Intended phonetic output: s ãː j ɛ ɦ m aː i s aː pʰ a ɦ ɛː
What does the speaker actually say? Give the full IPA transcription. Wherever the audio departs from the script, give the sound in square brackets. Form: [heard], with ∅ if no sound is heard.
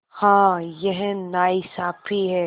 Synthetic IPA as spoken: [h] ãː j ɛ ɦ [n] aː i s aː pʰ [i] ɦ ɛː